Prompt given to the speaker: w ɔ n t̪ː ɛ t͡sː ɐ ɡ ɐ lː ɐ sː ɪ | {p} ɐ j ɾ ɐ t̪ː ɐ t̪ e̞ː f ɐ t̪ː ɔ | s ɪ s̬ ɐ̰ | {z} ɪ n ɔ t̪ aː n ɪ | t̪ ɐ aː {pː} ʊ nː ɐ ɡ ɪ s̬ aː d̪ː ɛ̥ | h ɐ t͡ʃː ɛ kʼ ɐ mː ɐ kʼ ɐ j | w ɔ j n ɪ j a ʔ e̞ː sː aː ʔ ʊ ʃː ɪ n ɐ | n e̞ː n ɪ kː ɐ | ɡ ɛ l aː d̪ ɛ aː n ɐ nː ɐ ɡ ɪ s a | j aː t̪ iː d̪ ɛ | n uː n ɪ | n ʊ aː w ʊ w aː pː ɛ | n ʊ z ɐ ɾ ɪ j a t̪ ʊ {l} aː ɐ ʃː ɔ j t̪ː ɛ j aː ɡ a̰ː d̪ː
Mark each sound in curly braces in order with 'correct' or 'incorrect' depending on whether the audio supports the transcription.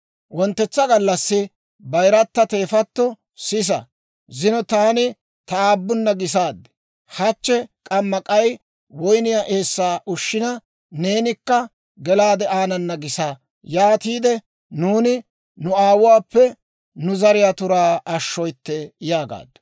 incorrect: b, correct, incorrect: bː, incorrect: ɾ

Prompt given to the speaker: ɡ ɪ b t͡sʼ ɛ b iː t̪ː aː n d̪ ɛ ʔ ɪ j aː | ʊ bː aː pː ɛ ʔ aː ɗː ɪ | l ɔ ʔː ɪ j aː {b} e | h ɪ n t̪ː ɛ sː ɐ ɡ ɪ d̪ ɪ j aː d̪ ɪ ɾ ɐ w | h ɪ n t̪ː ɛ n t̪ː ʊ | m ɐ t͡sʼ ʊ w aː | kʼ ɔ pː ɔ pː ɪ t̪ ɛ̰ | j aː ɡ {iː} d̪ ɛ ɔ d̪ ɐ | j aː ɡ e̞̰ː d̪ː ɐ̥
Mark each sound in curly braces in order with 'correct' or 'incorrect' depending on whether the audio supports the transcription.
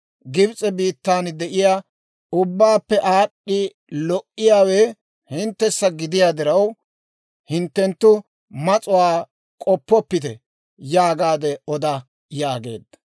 incorrect: w, incorrect: aː

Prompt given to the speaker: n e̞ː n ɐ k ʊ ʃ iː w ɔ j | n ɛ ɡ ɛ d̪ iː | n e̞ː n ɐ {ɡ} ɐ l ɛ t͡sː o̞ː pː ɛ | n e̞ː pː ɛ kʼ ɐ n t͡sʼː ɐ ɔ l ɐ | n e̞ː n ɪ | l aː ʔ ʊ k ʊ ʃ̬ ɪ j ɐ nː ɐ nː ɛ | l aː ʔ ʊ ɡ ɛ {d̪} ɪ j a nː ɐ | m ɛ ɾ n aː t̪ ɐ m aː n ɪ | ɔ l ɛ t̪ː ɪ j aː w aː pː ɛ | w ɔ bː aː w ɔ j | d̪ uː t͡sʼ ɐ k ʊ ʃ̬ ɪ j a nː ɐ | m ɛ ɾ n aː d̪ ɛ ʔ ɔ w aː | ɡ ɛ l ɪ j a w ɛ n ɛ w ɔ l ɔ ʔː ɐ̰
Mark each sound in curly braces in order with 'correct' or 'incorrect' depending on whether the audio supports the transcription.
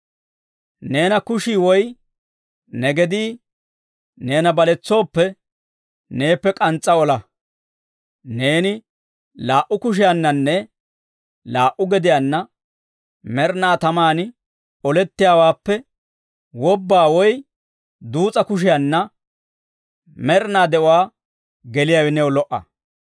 incorrect: b, correct

